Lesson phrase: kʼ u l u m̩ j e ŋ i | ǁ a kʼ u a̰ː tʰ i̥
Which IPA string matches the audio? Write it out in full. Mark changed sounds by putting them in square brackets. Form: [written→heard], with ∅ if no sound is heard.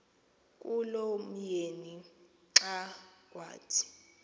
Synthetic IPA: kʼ u l [u→o] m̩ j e [ŋ→n] i | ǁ a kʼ [u→w] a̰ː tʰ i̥